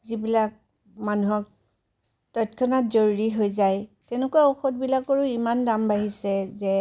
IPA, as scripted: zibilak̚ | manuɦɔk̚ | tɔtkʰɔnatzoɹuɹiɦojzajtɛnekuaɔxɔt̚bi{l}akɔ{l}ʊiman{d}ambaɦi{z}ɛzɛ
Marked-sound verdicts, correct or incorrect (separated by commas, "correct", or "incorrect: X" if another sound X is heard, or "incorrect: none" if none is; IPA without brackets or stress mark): correct, incorrect: ɹ, correct, incorrect: s